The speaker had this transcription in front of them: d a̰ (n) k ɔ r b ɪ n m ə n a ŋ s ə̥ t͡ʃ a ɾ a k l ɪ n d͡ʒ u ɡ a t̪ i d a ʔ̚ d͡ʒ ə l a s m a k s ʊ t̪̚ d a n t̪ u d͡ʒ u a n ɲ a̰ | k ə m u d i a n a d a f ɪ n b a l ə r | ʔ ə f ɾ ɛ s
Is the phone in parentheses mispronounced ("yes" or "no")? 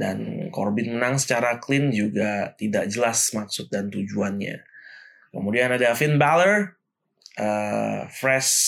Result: no